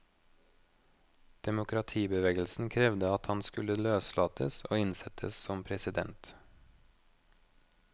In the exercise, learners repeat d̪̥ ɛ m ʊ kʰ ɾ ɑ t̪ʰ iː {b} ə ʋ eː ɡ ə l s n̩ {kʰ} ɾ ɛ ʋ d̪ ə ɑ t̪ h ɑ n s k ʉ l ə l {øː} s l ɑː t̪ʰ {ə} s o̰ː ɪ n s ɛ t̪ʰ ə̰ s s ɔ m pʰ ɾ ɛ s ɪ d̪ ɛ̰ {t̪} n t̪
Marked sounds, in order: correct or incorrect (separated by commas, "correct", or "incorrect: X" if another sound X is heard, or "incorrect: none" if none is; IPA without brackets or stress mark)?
correct, correct, correct, correct, incorrect: none